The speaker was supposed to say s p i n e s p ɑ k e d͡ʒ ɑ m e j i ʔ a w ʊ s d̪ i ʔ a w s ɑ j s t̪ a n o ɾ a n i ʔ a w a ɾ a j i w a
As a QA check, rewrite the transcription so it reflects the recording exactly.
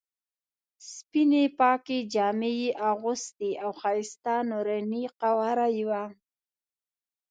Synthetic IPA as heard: s p i n e p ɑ k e d͡ʒ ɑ m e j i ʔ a ɣ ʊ s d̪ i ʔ a w x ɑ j s t̪ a n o ɾ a n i q a w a ɾ a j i w a